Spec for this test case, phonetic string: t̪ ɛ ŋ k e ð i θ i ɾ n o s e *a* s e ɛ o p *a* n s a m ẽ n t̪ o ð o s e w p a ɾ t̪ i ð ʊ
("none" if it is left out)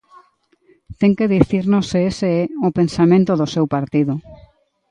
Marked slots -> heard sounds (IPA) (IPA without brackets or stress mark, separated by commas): e, e